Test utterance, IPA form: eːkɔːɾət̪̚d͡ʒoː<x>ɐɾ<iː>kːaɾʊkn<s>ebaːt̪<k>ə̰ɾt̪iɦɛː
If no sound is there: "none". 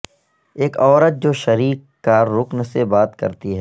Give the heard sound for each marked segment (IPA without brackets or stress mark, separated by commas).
ʃ, iː, s, k